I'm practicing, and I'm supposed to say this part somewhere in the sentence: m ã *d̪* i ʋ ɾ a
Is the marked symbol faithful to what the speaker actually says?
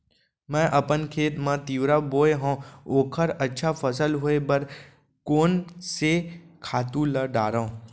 no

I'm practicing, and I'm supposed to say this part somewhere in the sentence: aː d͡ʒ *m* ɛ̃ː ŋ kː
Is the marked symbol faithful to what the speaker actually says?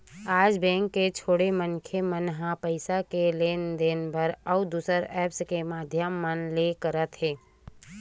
no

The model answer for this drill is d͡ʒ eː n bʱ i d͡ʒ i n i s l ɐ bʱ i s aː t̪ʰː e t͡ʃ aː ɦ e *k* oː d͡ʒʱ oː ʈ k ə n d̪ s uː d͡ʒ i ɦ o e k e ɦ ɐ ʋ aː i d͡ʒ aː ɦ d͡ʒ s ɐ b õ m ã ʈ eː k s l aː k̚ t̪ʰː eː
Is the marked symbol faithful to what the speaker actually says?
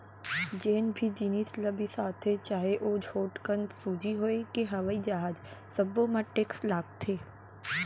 no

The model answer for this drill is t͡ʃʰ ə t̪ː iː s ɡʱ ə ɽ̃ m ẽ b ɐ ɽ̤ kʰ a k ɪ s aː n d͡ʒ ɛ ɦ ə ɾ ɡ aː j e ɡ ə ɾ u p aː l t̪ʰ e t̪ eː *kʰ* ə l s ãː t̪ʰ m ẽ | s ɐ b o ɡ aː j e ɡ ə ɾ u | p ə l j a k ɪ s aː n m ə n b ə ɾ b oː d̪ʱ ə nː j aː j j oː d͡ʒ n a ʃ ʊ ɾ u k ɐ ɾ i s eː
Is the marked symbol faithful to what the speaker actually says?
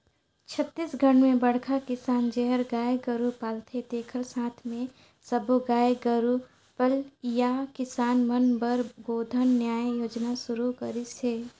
yes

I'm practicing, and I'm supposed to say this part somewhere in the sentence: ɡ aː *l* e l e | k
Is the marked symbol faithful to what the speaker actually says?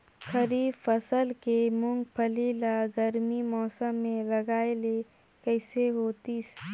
no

